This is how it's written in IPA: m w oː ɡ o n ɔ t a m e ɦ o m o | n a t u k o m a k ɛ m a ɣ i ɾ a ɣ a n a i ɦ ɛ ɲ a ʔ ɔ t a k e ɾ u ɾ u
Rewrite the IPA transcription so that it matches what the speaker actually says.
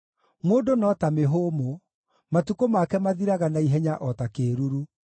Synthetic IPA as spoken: m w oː d o n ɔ t a m e ɦ o m o | m a t u k o m a k ɛ m a ð i ɾ a ɣ a n a i ɦ ɛ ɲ a ʔ ɔ t a k e ɾ u ɾ u